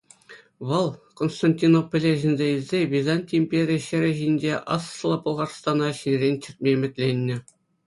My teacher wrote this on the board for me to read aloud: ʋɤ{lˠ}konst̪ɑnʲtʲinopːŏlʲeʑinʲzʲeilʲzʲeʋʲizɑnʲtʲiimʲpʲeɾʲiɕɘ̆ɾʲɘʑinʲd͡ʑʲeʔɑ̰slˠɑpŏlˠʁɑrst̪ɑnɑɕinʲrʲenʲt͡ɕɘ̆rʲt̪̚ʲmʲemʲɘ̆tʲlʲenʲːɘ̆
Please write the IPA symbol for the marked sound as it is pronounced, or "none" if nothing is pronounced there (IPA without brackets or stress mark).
lˠ